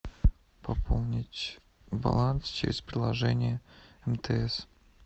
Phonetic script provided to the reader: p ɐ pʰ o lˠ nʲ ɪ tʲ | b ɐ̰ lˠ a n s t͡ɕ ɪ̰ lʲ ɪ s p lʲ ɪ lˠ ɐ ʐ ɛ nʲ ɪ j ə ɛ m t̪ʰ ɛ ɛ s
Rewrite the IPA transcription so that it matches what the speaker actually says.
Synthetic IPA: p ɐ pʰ o lˠ nʲ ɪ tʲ | b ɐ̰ lˠ a n s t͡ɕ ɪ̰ ɾʲ ɪ s p ɾʲ ɪ lˠ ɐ ʐ ɛ nʲ ɪ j ə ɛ m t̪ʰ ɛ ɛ s